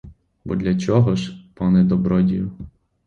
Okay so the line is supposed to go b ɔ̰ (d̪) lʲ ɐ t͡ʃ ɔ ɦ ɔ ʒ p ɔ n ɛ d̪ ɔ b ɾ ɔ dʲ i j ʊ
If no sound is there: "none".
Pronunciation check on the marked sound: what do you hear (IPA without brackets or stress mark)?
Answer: d̪